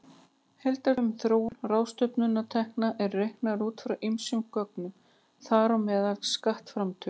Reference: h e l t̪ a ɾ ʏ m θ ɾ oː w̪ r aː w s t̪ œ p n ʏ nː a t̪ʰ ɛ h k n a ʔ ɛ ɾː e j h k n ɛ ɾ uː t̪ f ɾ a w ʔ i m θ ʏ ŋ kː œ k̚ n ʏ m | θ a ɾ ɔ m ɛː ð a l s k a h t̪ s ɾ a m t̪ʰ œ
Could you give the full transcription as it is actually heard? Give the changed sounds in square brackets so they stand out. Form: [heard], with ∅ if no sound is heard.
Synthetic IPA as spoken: h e l t̪ a ɾ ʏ m θ ɾ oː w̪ r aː w s t̪ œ p n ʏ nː a t̪ʰ ɛ h k n a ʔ ɛ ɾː e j h k n [a] ɾ uː t̪ f ɾ a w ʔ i m [s] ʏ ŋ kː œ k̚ n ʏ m | θ a ɾ ɔ m ɛː ð a l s k a h t̪ [f] ɾ a m t̪ʰ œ